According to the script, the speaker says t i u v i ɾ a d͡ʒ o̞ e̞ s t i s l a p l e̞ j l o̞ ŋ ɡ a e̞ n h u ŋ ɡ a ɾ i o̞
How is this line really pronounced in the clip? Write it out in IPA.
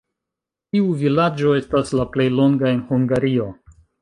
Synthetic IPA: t i u v i l a d͡ʒ o̞ e̞ s t a s l a p l e̞ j l o̞ ŋ ɡ a e̞ n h u ŋ ɡ a ɾ i o̞